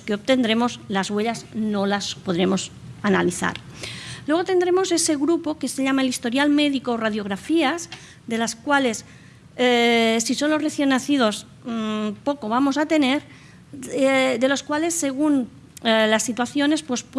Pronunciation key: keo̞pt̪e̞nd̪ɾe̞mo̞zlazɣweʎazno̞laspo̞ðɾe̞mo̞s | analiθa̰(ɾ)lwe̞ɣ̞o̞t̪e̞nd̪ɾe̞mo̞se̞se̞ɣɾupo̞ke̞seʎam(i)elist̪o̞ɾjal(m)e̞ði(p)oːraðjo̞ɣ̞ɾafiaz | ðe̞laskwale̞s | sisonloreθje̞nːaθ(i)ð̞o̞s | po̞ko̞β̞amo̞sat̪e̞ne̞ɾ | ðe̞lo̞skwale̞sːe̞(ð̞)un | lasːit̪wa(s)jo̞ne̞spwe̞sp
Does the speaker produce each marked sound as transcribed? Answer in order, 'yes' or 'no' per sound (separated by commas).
yes, no, yes, no, yes, no, no